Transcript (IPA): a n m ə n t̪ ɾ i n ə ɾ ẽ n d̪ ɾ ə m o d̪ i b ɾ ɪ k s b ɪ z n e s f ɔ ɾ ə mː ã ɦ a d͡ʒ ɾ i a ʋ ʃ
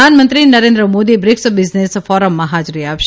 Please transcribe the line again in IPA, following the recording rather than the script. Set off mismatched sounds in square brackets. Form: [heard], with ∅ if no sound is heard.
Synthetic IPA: a n m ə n t̪ ɾ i n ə ɾ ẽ n d̪ ɾ ə m o d̪ i b ɾ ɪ k s b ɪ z n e s f ɔ ɾ ə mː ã ɦ a d͡ʒ ɾ i a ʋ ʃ